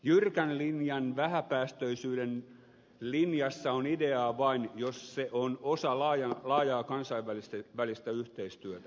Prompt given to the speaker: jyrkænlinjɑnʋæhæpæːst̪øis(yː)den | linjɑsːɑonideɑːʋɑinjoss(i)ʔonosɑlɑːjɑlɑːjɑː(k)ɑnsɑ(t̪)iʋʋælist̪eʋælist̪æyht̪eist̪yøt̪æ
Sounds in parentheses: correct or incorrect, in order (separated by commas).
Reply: correct, incorrect, correct, incorrect